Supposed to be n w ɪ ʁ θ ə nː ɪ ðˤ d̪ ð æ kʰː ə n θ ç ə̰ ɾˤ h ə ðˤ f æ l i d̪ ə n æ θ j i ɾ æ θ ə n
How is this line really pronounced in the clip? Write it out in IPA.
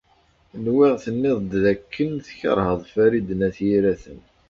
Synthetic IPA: n w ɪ ʁ θ ə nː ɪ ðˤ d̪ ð æ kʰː ə n θ ç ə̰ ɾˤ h ə ðˤ f æ ɾ i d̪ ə n æ θ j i ɾ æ θ ə n